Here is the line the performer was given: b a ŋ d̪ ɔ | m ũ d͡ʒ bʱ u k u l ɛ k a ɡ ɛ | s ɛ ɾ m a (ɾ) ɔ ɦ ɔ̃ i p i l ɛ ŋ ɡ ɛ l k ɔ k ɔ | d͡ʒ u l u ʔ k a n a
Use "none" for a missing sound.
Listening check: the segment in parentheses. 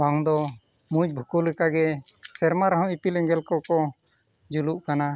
ɾ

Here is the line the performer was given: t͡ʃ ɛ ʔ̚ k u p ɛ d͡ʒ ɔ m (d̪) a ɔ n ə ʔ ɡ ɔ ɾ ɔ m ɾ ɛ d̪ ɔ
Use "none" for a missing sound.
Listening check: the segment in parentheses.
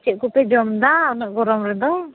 d̪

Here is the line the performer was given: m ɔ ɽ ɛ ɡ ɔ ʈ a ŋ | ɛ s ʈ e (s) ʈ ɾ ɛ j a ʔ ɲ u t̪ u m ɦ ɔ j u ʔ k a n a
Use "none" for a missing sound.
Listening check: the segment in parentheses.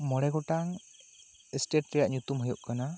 none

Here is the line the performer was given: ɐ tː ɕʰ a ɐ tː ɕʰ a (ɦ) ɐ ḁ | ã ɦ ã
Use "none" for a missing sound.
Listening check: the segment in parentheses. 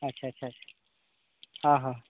none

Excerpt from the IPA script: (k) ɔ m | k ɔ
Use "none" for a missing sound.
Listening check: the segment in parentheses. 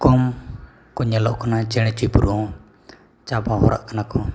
k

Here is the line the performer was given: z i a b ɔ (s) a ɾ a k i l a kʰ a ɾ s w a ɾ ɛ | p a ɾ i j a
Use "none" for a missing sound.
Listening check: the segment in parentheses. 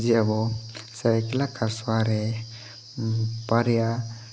s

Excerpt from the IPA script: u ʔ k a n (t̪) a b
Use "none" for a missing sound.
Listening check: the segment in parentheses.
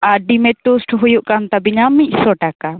t̪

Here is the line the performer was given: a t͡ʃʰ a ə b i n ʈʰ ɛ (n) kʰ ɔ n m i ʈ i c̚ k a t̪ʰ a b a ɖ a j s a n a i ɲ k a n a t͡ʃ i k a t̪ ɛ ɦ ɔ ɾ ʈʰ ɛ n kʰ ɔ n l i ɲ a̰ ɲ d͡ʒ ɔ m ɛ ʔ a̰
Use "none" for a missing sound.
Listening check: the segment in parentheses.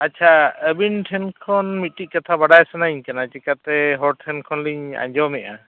n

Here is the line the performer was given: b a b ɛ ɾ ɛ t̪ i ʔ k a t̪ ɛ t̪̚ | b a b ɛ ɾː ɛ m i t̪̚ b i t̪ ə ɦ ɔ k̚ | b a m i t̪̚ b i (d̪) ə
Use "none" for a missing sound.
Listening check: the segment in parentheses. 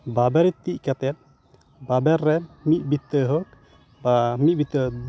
t̪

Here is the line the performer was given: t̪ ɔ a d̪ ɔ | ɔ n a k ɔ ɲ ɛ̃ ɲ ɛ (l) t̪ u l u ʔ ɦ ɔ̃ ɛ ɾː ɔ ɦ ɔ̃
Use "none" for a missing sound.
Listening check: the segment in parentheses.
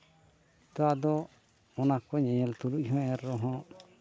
l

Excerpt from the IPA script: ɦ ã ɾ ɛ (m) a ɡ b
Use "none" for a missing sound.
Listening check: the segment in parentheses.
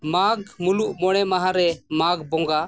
m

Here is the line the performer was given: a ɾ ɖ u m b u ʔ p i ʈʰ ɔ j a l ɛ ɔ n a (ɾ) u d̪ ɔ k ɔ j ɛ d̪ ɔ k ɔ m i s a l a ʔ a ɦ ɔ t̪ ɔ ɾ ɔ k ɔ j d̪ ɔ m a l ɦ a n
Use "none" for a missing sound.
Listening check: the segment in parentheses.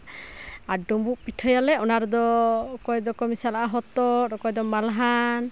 ɾ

